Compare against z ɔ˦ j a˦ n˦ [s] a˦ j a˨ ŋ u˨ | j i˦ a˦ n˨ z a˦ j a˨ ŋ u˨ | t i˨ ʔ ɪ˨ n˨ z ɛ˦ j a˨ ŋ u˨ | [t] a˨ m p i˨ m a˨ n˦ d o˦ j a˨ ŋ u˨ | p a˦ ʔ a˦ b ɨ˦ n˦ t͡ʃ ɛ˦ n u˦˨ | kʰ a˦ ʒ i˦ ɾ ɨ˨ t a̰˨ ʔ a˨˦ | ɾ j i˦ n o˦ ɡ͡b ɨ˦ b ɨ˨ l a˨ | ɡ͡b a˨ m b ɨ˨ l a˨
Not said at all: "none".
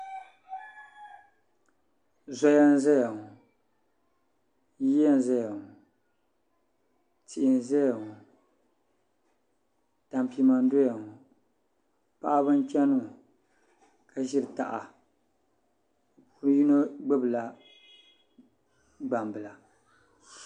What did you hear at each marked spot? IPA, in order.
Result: z, t

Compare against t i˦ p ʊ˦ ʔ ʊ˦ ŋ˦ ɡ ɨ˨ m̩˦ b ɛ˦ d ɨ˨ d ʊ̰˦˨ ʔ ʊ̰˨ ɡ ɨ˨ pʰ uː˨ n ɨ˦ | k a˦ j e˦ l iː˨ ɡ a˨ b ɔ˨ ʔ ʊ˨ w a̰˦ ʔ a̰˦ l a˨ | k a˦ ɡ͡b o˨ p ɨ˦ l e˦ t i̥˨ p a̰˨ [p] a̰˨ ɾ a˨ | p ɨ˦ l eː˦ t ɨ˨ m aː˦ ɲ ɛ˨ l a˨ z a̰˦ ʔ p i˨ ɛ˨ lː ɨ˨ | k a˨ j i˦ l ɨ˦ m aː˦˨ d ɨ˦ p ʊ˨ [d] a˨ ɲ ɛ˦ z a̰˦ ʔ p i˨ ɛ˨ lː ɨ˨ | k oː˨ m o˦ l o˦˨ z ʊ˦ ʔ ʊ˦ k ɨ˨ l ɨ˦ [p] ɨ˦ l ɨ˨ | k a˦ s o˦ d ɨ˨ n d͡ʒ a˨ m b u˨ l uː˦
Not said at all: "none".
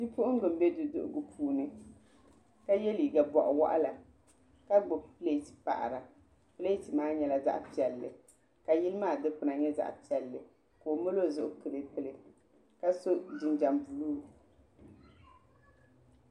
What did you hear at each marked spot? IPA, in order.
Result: ʔ, n, p

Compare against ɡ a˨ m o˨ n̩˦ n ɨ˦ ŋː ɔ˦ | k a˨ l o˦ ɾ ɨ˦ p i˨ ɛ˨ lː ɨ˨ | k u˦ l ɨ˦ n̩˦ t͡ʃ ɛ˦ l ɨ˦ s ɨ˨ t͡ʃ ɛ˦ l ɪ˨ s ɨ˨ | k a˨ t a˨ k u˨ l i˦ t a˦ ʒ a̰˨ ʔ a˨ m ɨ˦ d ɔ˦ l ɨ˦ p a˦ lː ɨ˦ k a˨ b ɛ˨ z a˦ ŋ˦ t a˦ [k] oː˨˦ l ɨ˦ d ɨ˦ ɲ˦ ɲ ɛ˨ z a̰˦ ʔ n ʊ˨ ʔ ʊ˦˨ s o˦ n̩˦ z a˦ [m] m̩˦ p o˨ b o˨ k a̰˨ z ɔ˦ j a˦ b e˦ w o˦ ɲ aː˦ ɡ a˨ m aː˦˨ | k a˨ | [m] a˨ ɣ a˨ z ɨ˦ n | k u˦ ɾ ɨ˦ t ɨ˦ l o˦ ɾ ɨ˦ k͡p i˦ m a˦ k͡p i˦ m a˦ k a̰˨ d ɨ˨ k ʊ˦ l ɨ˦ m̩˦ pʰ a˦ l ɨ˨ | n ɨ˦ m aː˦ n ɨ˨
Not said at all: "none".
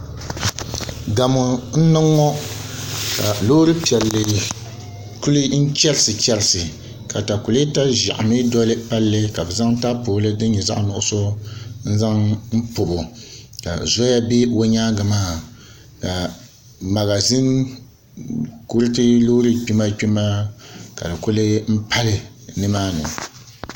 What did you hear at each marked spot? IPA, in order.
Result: p, ŋ, m

